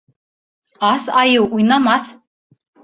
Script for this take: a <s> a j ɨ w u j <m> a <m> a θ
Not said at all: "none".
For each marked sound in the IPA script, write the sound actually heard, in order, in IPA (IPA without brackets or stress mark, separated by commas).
s, n, m